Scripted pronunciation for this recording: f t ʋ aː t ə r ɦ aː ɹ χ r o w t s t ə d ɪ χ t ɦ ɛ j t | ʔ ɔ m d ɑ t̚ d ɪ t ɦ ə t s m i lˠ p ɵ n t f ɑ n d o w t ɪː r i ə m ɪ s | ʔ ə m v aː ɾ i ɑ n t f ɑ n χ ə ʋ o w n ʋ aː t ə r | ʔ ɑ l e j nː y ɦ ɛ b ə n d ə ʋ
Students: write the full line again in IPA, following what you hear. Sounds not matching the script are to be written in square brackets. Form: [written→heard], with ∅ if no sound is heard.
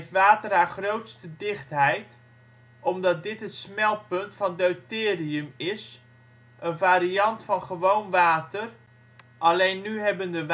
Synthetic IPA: f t ʋ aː t ə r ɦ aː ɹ χ r o w t s t ə d ɪ χ t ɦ ɛ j t | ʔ ɔ m d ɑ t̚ d ɪ t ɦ ə t s m [i→ɛ] lˠ p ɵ n t f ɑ n d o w t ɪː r i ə m ɪ s | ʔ ə [m→n] v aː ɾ i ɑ n t f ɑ n χ ə ʋ o w n ʋ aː t ə r | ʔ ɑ l e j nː y ɦ ɛ b ə n d ə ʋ